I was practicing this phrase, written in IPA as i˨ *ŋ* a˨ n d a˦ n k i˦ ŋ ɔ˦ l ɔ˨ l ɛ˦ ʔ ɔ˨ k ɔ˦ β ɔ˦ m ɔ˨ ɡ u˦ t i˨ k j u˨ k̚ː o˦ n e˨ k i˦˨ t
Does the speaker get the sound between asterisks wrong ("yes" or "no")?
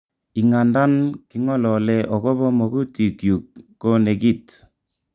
no